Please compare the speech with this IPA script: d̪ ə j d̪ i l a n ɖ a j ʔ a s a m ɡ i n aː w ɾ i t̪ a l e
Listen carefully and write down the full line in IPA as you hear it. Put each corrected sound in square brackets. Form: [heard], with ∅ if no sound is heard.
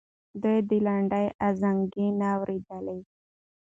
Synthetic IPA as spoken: d̪ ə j d̪ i l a [ɳ] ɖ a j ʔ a [z] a [ŋ] ɡ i n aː w ɾ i [d̪] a l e